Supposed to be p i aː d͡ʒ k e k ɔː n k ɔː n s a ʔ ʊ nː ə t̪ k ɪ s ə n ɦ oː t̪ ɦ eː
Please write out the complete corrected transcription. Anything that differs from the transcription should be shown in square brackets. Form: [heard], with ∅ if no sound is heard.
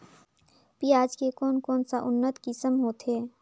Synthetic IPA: p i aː d͡ʒ k e k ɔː n k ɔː n s a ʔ ʊ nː ə t̪ k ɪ s ə [m] ɦ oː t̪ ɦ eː